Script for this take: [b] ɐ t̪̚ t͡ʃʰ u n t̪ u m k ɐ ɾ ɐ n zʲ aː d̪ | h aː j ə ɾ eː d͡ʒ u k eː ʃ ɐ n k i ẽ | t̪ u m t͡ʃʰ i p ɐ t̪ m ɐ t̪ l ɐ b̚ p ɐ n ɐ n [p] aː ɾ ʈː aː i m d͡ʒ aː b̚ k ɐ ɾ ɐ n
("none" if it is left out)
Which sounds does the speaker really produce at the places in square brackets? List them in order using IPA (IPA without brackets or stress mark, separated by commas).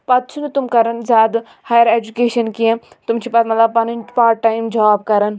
p, p